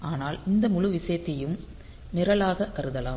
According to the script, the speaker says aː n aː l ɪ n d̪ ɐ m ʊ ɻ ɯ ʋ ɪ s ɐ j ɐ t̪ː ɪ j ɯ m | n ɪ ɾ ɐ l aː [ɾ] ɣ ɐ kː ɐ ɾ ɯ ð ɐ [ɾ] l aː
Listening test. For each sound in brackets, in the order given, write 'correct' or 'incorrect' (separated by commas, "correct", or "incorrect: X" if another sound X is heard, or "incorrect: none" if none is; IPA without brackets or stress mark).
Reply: incorrect: none, incorrect: none